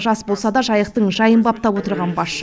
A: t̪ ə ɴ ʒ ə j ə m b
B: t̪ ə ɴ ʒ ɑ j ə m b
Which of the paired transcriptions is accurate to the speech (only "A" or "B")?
B